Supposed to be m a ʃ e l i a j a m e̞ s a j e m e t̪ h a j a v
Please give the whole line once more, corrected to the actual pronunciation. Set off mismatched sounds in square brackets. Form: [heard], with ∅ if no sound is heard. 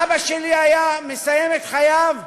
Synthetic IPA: [b] a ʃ e l i a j a m e̞ s a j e m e t̪ [χ] a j a v